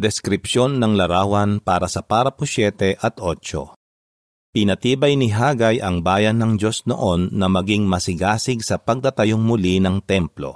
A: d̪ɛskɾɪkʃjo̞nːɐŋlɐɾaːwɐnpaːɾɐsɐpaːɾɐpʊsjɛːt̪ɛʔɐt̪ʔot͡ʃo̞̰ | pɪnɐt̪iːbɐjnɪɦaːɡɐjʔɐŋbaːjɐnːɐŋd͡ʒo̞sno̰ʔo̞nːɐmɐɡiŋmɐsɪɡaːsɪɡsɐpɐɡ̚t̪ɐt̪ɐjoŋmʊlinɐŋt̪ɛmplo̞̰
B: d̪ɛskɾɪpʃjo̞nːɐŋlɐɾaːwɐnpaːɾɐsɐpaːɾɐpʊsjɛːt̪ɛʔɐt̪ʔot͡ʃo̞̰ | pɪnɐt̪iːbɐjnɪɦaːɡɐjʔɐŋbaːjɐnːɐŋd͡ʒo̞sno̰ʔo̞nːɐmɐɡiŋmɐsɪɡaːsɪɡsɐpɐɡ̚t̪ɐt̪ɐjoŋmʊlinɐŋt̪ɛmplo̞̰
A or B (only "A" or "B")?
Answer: B